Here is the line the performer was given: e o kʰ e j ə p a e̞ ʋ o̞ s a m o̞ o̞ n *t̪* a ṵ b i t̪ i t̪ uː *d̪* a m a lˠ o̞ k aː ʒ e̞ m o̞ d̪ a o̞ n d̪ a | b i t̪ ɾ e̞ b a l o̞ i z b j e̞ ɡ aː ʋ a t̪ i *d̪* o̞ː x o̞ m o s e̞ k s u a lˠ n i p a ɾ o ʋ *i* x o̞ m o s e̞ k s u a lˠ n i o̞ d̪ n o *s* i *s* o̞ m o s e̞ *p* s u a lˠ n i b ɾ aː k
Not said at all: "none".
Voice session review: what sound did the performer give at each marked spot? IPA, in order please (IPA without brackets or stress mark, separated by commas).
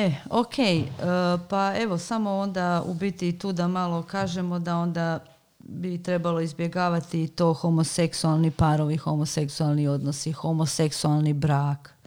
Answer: d̪, d̪, t̪, i, s, x, k